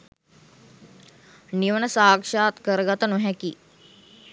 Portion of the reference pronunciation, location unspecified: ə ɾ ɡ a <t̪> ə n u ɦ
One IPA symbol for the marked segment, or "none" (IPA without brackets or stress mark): t̪